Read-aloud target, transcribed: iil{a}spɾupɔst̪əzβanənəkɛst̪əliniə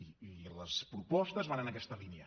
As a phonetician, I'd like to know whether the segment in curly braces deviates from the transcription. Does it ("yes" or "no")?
yes